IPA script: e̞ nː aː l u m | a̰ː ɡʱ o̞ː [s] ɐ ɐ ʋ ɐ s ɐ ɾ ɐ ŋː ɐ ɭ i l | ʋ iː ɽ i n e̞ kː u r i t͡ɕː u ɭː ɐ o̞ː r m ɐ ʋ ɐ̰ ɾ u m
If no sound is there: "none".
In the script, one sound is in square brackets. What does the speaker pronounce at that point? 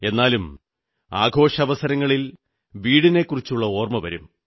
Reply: ʂ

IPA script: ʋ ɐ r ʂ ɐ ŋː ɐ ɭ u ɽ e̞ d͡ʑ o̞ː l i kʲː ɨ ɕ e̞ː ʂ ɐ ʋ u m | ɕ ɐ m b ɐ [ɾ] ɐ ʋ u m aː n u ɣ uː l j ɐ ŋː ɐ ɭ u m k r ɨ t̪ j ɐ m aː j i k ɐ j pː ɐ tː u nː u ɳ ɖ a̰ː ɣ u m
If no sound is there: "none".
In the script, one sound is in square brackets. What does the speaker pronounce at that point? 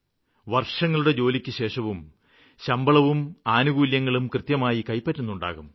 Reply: ɭ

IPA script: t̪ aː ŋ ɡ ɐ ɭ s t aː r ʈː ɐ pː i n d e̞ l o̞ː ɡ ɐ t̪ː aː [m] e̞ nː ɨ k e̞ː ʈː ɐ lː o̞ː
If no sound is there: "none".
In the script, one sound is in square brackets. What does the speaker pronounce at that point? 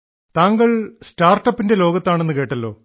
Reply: ɳ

